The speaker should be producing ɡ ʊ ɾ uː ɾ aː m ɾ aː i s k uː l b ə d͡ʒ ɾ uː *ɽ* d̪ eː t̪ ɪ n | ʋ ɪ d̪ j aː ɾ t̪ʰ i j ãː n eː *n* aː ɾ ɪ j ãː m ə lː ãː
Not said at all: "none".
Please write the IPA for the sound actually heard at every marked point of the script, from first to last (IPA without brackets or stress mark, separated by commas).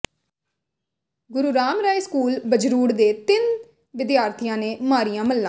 ɽ, m